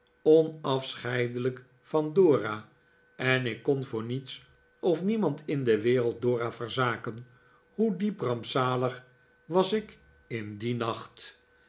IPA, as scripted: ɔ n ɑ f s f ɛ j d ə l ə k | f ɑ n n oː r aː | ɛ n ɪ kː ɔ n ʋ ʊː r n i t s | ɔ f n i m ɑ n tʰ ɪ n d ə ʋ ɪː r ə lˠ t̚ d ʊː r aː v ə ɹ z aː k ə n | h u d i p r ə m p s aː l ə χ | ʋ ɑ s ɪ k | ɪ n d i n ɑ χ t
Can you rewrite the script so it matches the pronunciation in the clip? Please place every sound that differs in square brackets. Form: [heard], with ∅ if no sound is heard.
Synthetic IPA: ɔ n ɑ f s [χ] ɛ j d ə l ə k | f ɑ n [d] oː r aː | ɛ n ɪ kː ɔ n [v] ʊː [ɹ] n i t s | ɔ f n i m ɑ n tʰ ɪ n d ə ʋ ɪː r ə lˠ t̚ d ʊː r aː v ə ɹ z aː k ə n | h u d i p r [ɑ] m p s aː l ə χ | ʋ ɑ s ɪ k | ɪ n d i n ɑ χ t